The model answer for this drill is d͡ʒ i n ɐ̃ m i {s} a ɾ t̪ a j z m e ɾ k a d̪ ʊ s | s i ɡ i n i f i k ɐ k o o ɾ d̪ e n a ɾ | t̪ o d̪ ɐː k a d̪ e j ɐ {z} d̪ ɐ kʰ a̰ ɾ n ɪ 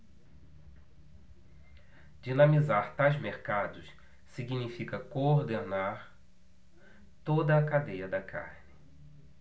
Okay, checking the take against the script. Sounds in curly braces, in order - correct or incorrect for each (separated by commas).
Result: incorrect, incorrect